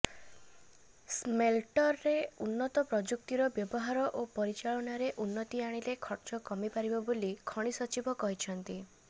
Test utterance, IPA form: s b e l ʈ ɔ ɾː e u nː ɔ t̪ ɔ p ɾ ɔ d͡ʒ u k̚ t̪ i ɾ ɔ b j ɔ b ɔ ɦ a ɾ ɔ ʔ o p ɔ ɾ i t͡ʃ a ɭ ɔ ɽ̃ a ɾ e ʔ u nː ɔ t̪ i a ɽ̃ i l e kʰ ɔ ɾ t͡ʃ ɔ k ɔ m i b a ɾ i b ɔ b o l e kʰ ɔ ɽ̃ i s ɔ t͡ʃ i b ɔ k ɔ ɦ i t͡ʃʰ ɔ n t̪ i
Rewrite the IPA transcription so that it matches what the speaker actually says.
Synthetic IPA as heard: s m e l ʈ ɔ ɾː e u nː ɔ t̪ ɔ p ɾ ɔ d͡ʒ u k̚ t̪ i ɾ ɔ b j ɔ b ɔ ɦ a ɾ ɔ ʔ o p ɔ ɾ i t͡ʃ a ɭ ɔ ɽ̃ a ɾ e ʔ u nː ɔ t̪ i a ɽ̃ i l e kʰ ɔ ɾ t͡ʃ ɔ k ɔ m i p a ɾ i b ɔ b o l i kʰ ɔ ɽ̃ i s ɔ t͡ʃ i b ɔ k ɔ ɦ i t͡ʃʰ ɔ n t̪ i